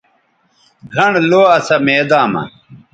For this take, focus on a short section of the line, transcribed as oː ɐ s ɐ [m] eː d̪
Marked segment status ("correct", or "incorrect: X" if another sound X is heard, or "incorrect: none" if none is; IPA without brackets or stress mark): correct